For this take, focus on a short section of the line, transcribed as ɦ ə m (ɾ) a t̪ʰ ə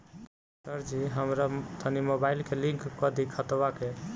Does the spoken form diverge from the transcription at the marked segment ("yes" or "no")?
no